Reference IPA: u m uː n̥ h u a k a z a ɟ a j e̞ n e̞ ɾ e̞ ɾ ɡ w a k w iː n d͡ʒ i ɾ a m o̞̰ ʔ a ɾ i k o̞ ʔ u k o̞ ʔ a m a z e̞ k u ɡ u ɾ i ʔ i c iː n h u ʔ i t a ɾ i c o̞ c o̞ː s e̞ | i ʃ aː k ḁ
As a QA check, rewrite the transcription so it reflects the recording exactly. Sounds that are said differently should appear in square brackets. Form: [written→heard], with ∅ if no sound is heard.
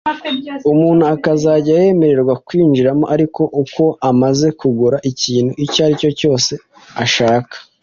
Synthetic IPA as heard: u m uː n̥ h u a k a z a ɟ a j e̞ [n→m] e̞ ɾ e̞ ɾ ɡ w a k w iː n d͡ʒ i ɾ a m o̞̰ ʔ a ɾ i k o̞ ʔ u k o̞ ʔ a m a z e̞ k u ɡ u ɾ [i→a] ʔ i c iː n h u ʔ i [t→c] a ɾ i c o̞ c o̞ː s e̞ | [i→a] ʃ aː k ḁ

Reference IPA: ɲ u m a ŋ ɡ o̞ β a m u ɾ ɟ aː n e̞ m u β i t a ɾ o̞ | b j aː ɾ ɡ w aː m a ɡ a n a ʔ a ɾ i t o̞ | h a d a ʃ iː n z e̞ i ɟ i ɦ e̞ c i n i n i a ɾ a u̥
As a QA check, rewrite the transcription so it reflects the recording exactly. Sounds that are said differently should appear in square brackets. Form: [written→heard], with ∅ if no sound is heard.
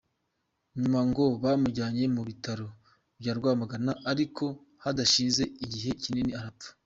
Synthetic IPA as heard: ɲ u m a ŋ ɡ o̞ β a m u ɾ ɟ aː [n→ɲ] e̞ m u β i t a ɾ o̞ | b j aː ɾ ɡ w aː m a ɡ a n a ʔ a ɾ i [t→k] o̞ | h a d a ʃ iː n z e̞ i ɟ i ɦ e̞ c i n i n i a ɾ a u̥

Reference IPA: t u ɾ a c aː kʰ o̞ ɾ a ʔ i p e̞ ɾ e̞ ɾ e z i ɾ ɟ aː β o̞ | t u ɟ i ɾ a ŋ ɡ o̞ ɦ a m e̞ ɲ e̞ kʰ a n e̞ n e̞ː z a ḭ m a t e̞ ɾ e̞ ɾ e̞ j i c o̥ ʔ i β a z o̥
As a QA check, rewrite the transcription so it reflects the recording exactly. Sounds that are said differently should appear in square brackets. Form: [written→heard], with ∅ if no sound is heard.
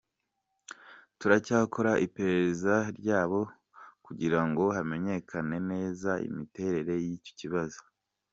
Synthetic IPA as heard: t u ɾ a c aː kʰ o̞ ɾ a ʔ i p e̞ ɾ e̞ ɾ e z [i→a] ɾ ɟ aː β o̞ | [t→k] u ɟ i ɾ a ŋ ɡ o̞ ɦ a m e̞ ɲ e̞ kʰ a n e̞ n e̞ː z a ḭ m [a→i] t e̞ ɾ e̞ ɾ e̞ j i c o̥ [ʔ→c] i β a z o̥

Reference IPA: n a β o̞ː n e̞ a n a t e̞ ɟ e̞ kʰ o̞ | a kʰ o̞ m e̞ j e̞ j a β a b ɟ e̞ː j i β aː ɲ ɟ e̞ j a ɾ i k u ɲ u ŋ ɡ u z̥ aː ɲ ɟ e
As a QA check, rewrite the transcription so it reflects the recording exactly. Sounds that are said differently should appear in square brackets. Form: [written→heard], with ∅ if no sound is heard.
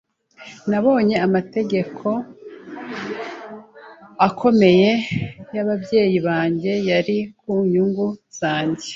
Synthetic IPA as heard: n a β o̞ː [n→ɲ] e̞ a [n→m] a t e̞ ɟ e̞ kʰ o̞ | a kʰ o̞ m e̞ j e̞ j a β a b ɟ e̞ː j i β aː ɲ ɟ e̞ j a ɾ i k u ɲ u ŋ ɡ u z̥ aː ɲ ɟ e

